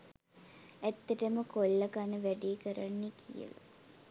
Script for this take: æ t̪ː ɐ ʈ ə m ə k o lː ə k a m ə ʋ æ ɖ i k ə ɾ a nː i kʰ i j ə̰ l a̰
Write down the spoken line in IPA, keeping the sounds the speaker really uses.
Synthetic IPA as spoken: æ t̪ː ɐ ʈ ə m ə k o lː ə k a n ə ʋ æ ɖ i k ə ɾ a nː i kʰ i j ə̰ l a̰